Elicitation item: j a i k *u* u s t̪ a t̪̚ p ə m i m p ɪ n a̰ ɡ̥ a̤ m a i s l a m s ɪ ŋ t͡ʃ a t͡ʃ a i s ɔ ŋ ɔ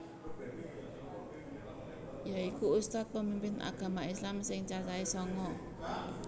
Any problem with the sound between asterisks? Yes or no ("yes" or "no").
no